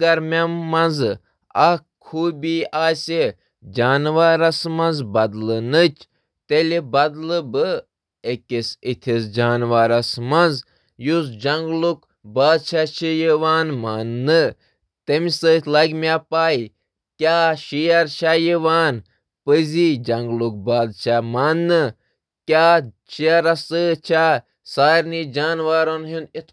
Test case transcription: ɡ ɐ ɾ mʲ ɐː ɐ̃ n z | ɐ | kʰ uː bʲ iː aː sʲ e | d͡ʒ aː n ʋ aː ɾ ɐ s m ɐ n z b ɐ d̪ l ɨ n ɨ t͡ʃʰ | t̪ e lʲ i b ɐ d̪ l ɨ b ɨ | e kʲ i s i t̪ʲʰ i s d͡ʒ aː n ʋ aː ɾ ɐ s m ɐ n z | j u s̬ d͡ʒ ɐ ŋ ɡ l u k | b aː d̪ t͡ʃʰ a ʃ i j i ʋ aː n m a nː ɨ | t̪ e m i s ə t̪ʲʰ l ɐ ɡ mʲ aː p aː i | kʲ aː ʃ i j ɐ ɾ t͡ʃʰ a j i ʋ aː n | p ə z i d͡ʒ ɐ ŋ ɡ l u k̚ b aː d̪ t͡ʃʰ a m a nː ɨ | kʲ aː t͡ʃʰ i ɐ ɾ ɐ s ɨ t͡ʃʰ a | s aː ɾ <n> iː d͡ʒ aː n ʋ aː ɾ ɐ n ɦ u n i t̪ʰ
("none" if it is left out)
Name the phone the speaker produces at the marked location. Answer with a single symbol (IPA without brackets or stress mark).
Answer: n